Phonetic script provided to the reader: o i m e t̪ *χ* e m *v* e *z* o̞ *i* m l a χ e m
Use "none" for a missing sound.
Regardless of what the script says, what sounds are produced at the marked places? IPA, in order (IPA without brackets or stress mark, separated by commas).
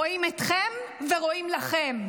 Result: χ, v, ʁ, i